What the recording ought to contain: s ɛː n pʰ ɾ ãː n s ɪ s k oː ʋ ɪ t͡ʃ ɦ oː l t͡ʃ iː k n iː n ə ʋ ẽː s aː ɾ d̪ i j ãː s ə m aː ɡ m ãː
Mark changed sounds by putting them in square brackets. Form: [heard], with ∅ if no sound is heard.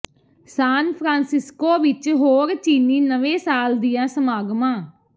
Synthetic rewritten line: s [aː] n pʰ ɾ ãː n s ɪ s k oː ʋ ɪ t͡ʃ ɦ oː [ɾ] t͡ʃ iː [∅] n iː n ə ʋ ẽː s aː [l] d̪ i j ãː s ə m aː ɡ m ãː